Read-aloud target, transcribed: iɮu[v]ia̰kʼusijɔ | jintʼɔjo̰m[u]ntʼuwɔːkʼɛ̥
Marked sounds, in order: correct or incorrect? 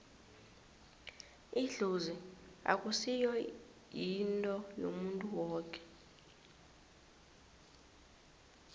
incorrect, correct

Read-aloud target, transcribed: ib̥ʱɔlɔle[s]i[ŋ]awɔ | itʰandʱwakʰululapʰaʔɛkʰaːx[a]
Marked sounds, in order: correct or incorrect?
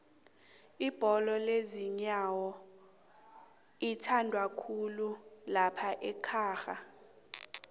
incorrect, incorrect, correct

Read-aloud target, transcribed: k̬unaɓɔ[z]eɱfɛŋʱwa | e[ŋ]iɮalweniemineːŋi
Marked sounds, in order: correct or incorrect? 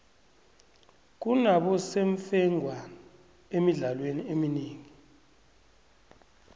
incorrect, incorrect

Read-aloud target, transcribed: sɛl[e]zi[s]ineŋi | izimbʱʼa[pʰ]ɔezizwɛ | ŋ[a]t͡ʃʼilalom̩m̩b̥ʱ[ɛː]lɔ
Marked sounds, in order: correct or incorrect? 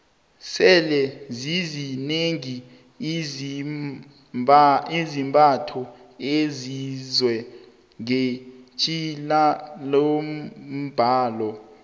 incorrect, incorrect, incorrect, incorrect, incorrect

